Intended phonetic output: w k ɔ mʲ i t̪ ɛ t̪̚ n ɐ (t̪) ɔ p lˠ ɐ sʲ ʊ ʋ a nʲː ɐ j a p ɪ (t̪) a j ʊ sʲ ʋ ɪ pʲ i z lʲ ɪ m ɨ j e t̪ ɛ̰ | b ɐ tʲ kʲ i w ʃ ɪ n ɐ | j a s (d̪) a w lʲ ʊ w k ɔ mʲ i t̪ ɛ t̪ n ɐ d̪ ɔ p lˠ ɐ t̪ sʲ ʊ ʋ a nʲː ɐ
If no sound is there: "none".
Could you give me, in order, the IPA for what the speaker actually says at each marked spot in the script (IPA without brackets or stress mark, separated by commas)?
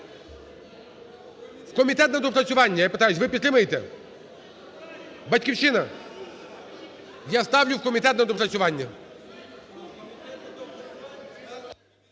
d̪, t̪, t̪